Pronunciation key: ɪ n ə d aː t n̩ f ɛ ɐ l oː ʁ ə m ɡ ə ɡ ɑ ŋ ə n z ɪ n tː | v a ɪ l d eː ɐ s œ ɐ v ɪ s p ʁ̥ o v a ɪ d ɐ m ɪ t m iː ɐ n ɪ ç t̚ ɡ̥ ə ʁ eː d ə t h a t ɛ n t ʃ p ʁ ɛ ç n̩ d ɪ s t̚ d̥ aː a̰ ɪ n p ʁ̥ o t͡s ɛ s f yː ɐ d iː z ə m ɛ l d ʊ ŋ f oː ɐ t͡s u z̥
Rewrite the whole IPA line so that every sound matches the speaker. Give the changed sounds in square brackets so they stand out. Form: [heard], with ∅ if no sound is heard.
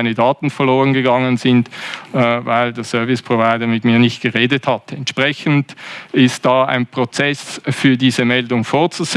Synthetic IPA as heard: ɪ n ə d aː t n̩ f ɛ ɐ l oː ʁ ə [n] ɡ ə ɡ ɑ ŋ ə n z ɪ n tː | v a ɪ l d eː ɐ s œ ɐ v ɪ s p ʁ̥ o v a ɪ d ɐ m ɪ t m iː ɐ n ɪ ç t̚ ɡ̥ ə ʁ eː d ə t h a t ɛ n t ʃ p ʁ ɛ ç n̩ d ɪ s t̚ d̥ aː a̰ ɪ n p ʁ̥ o t͡s ɛ s f yː ɐ d iː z ə m ɛ l d ʊ ŋ f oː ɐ t͡s u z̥